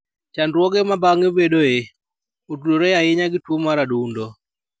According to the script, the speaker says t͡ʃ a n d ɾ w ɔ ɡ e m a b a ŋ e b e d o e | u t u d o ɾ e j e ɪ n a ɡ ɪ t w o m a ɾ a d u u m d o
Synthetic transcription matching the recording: t͡ʃ a n d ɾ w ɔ ɡ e m a b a ŋ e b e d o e | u t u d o ɾ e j a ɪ ɲ a ɡ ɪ t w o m a ɾ a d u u n d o